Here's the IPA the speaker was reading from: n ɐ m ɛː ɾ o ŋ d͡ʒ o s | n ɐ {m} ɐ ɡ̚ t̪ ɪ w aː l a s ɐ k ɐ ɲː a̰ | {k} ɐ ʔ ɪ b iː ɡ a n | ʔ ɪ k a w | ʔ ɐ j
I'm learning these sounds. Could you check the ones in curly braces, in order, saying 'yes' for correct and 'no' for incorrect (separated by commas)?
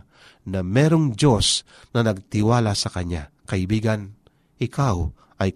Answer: no, yes